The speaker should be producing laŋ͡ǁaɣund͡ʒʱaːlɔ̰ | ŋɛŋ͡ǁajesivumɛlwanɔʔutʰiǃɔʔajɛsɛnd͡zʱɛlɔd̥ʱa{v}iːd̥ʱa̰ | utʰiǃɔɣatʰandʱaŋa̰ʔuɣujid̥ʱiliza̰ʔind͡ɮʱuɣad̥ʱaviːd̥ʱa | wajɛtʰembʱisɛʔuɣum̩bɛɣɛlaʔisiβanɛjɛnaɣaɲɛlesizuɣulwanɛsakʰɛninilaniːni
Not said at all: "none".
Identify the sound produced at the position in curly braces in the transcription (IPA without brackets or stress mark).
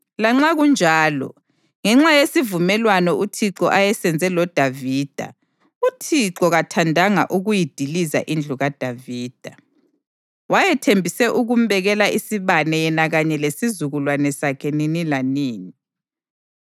v